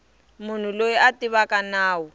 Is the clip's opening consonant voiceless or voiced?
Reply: voiced